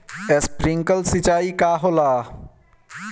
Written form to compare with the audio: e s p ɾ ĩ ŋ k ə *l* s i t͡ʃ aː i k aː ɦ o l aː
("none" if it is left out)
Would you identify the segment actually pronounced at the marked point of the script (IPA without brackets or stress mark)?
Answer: l